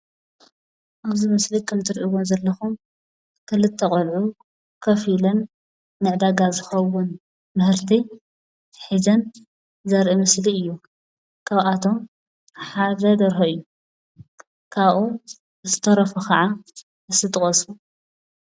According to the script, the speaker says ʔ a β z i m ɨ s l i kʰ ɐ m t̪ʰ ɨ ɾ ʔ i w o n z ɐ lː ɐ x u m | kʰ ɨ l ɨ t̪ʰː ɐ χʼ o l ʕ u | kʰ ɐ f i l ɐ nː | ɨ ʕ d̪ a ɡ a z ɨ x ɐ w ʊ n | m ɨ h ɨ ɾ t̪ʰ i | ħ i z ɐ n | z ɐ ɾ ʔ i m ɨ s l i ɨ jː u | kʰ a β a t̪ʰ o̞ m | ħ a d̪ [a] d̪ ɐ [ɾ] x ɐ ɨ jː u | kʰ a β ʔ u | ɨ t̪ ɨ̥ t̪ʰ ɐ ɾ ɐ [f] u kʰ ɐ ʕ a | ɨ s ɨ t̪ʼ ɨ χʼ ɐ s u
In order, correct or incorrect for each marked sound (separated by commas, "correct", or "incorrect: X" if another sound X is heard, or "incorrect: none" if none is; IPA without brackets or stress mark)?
incorrect: ɐ, correct, correct